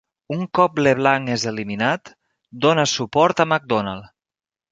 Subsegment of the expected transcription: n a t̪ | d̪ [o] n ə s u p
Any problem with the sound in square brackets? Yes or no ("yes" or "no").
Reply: no